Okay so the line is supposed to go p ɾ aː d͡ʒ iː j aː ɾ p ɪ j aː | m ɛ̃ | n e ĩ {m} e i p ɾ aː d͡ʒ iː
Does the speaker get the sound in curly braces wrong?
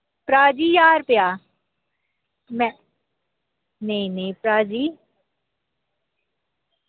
yes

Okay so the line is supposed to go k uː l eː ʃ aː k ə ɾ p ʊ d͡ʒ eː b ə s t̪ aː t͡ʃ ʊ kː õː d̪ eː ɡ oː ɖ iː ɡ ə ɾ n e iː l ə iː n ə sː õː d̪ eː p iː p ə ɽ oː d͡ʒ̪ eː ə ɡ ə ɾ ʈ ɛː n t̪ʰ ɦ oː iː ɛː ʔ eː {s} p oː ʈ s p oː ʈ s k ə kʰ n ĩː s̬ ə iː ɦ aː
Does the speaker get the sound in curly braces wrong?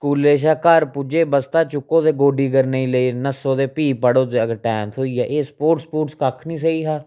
no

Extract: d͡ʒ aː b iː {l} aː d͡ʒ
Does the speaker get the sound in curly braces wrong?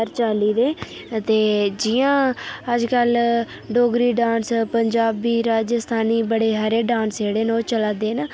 yes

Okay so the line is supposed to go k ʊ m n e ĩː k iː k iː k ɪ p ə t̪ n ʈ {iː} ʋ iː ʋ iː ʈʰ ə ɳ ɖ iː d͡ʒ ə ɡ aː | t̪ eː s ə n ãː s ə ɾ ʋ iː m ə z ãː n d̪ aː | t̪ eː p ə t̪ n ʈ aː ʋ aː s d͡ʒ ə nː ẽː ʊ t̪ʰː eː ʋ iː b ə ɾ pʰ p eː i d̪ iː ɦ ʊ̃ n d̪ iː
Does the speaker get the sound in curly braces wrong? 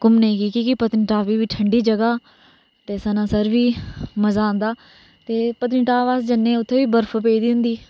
yes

